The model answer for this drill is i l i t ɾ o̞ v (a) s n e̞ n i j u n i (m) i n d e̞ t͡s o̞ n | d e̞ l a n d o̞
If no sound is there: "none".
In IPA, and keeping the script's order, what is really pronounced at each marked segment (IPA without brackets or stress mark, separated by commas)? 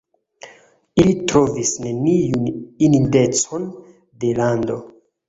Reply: i, n